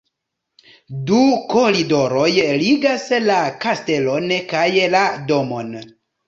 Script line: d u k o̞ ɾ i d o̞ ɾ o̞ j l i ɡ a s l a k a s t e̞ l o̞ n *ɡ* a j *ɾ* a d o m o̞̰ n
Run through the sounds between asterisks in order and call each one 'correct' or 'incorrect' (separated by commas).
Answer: incorrect, incorrect